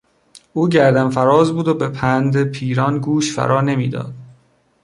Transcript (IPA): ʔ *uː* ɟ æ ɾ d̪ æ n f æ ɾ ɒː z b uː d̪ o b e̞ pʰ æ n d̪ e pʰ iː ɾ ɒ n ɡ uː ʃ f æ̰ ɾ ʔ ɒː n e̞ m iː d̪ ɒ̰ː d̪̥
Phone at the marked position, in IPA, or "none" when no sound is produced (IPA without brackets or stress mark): uː